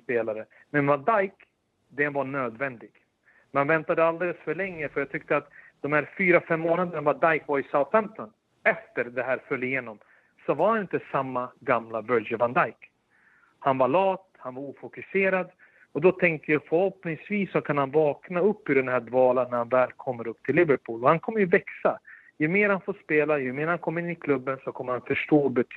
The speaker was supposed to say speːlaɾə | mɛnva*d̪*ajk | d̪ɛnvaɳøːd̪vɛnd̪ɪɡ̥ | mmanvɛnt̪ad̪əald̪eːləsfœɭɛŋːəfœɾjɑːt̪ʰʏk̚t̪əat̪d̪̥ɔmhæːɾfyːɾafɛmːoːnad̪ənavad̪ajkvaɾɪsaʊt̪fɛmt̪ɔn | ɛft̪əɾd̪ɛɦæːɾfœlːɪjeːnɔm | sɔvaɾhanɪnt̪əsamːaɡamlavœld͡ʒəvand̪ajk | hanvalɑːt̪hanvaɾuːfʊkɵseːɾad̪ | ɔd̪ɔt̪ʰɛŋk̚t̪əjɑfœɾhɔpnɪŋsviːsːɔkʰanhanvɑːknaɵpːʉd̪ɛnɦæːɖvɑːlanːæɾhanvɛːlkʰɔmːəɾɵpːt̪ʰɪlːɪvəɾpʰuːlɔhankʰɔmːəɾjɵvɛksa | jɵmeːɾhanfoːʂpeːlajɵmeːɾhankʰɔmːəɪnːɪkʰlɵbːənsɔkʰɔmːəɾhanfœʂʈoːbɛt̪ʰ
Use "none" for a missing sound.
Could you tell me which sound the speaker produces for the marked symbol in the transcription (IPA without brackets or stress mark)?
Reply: d̪